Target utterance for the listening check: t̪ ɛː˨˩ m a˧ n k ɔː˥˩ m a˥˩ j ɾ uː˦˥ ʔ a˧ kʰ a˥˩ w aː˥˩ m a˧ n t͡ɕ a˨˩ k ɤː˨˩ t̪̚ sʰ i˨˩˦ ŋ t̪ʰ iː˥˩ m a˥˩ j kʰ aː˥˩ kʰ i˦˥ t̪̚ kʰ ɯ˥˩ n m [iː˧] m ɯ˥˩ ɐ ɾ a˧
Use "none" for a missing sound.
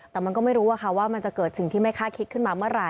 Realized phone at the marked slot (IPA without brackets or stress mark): aː˧